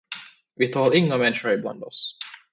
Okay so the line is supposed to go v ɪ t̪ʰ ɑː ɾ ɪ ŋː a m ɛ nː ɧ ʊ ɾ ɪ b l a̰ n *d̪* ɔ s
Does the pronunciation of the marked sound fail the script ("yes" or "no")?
no